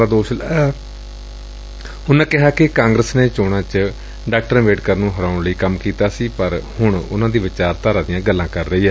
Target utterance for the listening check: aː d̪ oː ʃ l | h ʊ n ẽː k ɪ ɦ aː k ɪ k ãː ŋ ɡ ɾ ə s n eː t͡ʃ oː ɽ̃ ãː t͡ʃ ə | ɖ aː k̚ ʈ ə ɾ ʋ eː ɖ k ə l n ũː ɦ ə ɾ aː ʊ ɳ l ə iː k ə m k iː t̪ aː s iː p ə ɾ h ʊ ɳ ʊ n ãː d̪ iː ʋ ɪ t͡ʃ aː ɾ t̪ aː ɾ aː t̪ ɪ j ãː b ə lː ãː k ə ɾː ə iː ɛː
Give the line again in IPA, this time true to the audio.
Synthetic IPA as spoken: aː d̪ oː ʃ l | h ʊ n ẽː k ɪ ɦ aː k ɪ k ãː ŋ ɡ ɾ ə s n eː t͡ʃ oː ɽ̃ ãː t͡ʃ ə | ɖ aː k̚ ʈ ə ɾ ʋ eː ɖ k ə ɾ n ũː ɦ ə ɾ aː ʊ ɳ l ə iː k ə m k iː t̪ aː s iː p ə ɾ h ʊ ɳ ʊ n ãː d̪ iː ʋ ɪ t͡ʃ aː ɾ t̪ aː ɾ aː d̪ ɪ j ãː ɡ ə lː ãː k ə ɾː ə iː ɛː

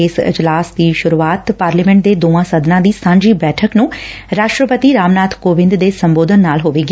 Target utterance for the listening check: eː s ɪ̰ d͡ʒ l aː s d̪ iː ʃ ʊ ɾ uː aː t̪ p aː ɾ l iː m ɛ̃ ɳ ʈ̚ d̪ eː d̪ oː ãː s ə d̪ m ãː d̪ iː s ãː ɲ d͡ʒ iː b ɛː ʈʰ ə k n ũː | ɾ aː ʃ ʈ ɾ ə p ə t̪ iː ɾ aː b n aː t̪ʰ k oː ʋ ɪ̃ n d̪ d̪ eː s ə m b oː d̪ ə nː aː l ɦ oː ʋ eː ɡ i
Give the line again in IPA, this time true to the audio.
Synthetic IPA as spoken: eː s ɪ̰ d͡ʒ l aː s d̪ iː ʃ ʊ ɾ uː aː t̪ p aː ɾ l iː m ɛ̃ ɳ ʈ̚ d̪ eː d̪ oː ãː s ə d̪ n ãː d̪ iː s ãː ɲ d͡ʒ iː b ɛː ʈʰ ə k n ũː | ɾ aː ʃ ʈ ɾ ə p ə t̪ iː ɾ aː m n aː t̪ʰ k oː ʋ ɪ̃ n d̪ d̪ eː s ə m b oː d̪ ə nː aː l ɦ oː ʋ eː ɡ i

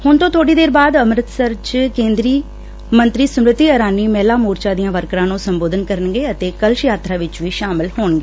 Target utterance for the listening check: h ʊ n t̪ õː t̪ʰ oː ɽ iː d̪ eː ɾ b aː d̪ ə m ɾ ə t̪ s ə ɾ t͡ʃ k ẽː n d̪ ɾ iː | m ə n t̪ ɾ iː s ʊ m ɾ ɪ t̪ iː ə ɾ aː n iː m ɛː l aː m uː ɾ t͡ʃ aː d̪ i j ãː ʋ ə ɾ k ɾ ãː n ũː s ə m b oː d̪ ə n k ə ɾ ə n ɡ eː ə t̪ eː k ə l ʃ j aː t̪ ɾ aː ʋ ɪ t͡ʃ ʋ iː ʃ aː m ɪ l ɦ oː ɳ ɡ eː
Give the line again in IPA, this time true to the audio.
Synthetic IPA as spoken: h ʊ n t̪ õː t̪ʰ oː ɽ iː d̪ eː ɾ b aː d̪ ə m ɾ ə t̪ s ə ɾ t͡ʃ k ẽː n d̪ ɾ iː | m ə n t̪ ɾ iː s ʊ m ɾ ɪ t̪ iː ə ɾ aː n iː m ɛː l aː m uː ɾ t͡ʃ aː d̪ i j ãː ʋ ə ɾ k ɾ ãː n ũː s ə m b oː d̪ ə n k ə ɾ ə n ɡ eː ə t̪ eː k ə l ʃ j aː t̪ ɾ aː ʋ ɪ t͡ʃ ʋ iː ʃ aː m ɪ l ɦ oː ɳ ɡ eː

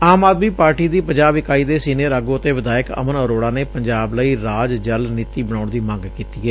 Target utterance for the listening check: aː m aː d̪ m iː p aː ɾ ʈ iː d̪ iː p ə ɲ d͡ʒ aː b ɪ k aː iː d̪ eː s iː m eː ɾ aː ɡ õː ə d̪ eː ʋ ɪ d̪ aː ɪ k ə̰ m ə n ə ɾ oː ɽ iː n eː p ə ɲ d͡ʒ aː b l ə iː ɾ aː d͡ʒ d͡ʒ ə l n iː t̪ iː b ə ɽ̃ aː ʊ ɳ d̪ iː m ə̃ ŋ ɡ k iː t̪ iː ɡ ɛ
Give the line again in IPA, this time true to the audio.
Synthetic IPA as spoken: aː m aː d̪ m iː p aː ɾ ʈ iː d̪ iː p ə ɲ d͡ʒ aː b ɪ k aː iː d̪ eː s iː n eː ɾ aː ɡ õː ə t̪ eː ʋ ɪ d̪ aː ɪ k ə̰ m ə n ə ɾ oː ɽ aː n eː p ə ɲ d͡ʒ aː b l ə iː ɾ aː d͡ʒ d͡ʒ ə l n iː t̪ iː b ə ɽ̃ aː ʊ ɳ d̪ iː m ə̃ ŋ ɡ k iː t̪ iː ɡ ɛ

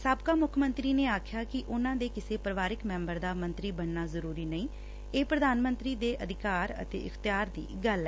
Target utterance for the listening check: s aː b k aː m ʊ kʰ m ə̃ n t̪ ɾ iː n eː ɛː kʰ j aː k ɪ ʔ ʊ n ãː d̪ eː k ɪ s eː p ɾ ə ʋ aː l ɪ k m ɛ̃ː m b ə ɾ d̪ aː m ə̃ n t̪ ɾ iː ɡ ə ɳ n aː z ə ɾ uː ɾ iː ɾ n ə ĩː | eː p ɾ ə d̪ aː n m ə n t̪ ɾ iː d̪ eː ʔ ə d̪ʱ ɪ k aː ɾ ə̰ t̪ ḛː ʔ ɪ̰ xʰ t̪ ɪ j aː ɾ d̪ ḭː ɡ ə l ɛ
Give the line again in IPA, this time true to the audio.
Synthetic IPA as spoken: s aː b k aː m ʊ kʰ m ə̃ n t̪ ɾ iː n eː aː kʰ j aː k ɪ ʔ ʊ n ãː d̪ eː k ɪ s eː p ɾ ə ʋ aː ɾ ɪ k m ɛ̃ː m b ə ɾ d̪ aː m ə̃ n t̪ ɾ iː b ə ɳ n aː z ə ɾ uː ɾ iː n ə ĩː | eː p ɾ ə d̪ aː n m ə n t̪ ɾ iː d̪ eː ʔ ə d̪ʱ ɪ k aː ɾ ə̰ t̪ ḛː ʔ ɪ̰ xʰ t̪ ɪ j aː ɾ d̪ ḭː ɡ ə l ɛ

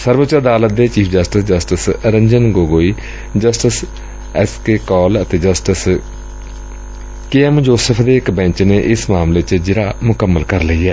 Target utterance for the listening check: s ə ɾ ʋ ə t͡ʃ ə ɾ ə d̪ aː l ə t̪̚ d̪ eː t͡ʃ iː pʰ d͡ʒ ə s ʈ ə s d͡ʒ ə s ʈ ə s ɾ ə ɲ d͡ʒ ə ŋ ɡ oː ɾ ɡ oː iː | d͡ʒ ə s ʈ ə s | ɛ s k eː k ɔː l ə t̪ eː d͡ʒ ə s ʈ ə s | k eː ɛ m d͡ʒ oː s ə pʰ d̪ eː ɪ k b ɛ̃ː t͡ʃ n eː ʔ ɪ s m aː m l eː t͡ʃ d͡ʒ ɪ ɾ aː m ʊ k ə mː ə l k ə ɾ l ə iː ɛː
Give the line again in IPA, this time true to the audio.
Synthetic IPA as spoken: s ə ɾ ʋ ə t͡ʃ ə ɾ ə d̪ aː l ə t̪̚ d̪ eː t͡ʃ iː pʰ d͡ʒ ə s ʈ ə s d͡ʒ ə s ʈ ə s ɾ ə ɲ d͡ʒ ə n ɡ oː ɡ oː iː | d͡ʒ ə s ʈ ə s | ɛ s k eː k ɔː l ə t̪ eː d͡ʒ ə s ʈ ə s | k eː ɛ m d͡ʒ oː s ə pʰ d̪ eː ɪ k b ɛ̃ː t͡ʃ n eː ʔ ɪ s m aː m l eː t͡ʃ d͡ʒ ɪ ɾ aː m ʊ k ə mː ə l k ə ɾ l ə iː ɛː

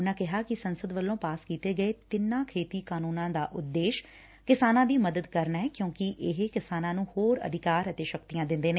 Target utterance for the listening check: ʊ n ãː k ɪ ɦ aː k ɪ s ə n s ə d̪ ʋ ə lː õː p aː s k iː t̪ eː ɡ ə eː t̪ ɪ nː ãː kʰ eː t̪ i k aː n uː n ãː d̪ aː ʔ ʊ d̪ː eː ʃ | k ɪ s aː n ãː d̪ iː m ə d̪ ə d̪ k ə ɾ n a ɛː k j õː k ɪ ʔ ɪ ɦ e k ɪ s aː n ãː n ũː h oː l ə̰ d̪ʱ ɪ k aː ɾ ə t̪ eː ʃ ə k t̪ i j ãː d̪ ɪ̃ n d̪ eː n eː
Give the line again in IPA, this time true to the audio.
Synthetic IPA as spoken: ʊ n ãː k ɪ ɦ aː k ɪ s ə n s ə d̪ ʋ ə lː õː p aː s k iː t̪ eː ɡ ə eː t̪ ɪ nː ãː kʰ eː t̪ iː k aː n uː n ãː d̪ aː ʔ ʊ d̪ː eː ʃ | k ɪ s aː n ãː d̪ iː m ə d̪ ə d̪ k ə ɾ n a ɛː k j õː k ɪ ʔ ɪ ɦ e k ɪ s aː n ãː n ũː h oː ɾ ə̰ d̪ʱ ɪ k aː ɾ ə t̪ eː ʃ ə k t̪ i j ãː d̪ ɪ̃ n d̪ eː n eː

